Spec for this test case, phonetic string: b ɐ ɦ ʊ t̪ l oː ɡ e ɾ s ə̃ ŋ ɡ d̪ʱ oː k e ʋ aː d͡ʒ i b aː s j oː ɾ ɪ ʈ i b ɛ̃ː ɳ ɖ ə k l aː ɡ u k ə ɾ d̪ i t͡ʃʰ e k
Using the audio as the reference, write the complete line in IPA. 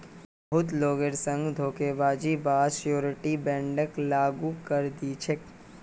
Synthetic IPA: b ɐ ɦ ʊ t̪ l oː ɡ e ɾ s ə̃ ŋ ɡ d̪ʱ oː k e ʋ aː d͡ʒ i b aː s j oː ɾ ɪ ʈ i b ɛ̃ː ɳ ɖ ə k l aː ɡ u k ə ɾ d̪ i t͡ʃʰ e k